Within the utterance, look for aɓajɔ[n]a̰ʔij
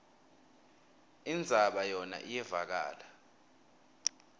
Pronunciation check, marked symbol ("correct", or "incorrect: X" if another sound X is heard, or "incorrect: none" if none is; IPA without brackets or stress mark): correct